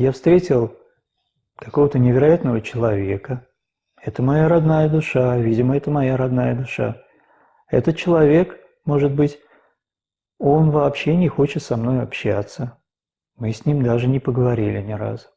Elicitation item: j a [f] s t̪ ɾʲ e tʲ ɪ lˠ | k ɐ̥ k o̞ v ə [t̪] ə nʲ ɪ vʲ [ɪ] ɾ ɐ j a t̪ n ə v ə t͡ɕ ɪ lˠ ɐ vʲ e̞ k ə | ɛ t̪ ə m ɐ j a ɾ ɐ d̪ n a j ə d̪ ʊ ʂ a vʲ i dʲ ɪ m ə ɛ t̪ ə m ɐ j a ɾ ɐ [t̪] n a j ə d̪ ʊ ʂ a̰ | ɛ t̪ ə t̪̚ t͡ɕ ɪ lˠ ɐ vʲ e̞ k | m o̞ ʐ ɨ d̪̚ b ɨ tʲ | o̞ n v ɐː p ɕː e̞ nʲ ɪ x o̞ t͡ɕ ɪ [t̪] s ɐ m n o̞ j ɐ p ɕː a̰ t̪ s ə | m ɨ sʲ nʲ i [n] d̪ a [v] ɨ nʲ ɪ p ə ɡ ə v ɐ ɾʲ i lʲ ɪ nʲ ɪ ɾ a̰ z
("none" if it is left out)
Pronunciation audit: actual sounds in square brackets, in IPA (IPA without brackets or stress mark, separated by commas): f, t̪, ɪ, d̪, t̪, m, ʐ